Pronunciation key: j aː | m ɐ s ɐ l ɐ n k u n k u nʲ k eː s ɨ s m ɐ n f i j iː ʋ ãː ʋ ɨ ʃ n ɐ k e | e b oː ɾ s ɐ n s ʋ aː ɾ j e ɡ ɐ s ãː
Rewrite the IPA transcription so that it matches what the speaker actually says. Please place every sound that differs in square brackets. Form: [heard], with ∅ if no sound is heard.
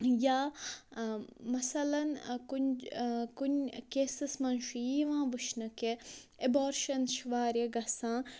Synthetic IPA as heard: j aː | m ɐ s ɐ l ɐ n k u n k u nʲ k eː s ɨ s m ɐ n [ʃ] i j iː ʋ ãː ʋ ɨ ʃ n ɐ k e | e b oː ɾ [ʃ] ɐ n [ʃ] ʋ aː ɾ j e ɡ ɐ s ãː